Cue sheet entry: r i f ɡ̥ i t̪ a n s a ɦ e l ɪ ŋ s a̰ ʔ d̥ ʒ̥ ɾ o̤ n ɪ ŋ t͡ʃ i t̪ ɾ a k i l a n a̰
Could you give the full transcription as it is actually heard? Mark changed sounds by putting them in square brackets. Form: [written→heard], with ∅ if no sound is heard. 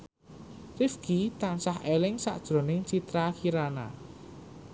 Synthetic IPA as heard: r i f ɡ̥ i t̪ a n s a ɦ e l ɪ ŋ s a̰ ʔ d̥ ʒ̥ ɾ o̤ n ɪ ŋ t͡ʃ i t̪ ɾ a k i [l→ɾ] a n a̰